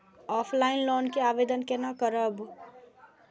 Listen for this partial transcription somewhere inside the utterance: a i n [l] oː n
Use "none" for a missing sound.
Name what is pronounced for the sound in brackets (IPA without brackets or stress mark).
l